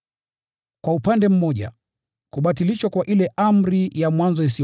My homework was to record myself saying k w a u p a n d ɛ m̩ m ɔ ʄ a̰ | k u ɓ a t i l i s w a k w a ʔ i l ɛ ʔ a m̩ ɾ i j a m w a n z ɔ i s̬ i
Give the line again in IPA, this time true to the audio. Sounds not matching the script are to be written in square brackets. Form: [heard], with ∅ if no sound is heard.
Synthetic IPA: k w a u p a n d ɛ m̩ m ɔ ʄ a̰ | k u ɓ a t i l i [ʃ] w a k w a ʔ i l ɛ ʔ a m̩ ɾ i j a m w a n z ɔ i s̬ i